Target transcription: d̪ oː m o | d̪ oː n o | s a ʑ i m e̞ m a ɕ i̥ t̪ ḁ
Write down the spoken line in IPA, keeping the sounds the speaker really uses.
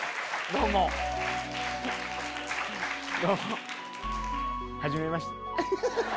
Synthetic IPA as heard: d̪ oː m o | d̪ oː m o | h a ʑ i m e̞ m a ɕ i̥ t̪ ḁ